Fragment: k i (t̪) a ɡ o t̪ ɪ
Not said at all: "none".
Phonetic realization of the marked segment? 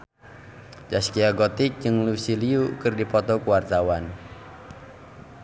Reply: none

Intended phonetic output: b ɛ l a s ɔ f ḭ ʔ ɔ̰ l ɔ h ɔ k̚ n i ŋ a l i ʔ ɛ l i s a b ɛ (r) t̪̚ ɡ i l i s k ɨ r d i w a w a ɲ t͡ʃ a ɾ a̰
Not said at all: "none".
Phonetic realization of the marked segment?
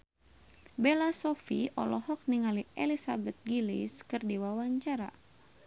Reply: none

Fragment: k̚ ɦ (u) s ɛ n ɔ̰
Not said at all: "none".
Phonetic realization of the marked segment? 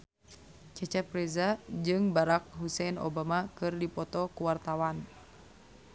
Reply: u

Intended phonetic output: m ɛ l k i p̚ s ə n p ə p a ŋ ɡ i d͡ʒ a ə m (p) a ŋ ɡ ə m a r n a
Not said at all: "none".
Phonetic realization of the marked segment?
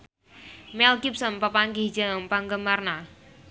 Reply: p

